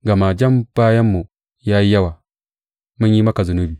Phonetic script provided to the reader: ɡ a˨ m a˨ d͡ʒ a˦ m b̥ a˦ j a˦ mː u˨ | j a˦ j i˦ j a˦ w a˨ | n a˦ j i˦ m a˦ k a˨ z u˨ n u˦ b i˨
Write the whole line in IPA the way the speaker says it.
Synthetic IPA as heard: ɡ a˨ m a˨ d͡ʒ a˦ m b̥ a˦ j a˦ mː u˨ | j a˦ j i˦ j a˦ w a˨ | m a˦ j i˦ m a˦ k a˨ z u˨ n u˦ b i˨